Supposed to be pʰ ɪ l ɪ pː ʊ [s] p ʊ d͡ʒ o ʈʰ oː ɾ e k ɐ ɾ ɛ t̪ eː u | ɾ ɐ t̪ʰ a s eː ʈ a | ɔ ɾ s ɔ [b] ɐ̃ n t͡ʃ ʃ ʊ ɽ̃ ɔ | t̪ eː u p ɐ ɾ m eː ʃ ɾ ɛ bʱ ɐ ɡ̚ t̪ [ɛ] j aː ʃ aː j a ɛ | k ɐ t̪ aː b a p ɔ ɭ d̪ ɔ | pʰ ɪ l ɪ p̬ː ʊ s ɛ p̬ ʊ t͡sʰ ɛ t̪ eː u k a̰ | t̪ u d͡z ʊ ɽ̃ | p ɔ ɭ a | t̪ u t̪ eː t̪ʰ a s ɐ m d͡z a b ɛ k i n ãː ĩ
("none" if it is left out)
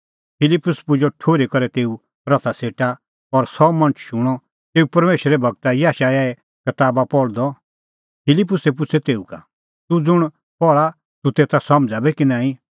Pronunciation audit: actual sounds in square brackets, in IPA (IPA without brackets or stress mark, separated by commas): s, m, a